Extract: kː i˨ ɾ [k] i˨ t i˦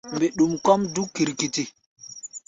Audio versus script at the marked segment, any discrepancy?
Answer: no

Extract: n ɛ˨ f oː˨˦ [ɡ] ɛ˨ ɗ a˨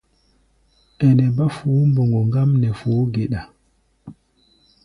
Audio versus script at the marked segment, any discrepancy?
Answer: no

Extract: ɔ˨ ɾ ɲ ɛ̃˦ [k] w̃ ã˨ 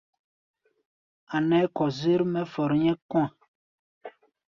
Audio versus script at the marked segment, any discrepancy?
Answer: no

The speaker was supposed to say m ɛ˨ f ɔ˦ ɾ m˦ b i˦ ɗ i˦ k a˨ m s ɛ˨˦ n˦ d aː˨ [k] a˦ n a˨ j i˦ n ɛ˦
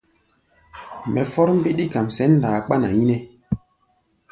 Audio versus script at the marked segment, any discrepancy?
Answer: yes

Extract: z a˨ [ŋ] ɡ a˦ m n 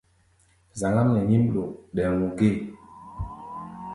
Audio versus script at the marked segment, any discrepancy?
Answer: no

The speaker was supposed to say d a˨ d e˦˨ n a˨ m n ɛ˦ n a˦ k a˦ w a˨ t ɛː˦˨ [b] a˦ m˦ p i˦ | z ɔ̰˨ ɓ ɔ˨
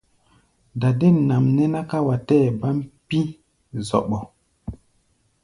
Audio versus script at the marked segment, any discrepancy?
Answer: no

